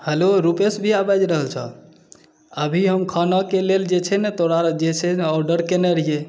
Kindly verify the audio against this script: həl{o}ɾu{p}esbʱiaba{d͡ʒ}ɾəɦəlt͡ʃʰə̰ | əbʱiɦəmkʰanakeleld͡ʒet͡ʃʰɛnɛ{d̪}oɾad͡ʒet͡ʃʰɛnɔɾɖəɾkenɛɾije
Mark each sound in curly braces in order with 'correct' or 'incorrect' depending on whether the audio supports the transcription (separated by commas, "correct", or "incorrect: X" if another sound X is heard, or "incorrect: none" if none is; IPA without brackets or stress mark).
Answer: correct, correct, correct, incorrect: t̪